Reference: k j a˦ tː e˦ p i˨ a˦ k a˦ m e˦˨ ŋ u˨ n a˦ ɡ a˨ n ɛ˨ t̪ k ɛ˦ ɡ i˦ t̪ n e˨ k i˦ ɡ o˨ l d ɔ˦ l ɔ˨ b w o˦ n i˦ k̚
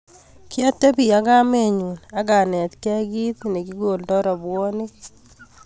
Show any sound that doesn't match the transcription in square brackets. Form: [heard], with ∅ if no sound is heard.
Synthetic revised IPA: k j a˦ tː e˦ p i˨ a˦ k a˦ m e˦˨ [ɲ] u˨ n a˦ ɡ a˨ n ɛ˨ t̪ k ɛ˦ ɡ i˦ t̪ n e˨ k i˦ ɡ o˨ l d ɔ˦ [ɾ] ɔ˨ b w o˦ n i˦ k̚